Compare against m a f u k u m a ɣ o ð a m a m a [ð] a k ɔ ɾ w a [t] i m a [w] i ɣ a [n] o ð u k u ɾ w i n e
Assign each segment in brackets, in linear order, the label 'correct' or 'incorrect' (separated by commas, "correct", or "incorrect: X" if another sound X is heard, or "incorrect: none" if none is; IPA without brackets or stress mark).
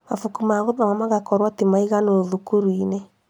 incorrect: ɣ, correct, incorrect: none, correct